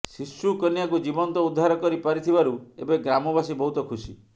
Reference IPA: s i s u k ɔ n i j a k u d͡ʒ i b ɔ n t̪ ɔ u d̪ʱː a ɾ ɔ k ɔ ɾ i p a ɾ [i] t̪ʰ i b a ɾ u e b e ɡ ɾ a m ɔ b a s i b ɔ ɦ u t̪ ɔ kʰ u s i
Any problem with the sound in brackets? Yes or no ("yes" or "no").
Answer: no